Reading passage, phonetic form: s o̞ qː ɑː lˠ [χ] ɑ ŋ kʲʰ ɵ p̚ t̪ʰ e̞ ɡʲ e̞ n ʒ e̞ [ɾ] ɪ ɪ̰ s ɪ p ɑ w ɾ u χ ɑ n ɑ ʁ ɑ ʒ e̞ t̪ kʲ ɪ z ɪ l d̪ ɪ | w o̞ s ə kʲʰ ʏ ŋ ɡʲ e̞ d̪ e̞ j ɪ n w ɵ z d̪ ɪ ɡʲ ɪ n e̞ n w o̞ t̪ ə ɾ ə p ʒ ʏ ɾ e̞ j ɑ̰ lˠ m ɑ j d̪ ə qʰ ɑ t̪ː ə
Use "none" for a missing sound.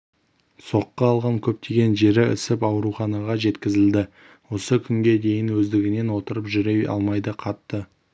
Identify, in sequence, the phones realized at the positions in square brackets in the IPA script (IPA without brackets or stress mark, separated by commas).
ʁ, ɾ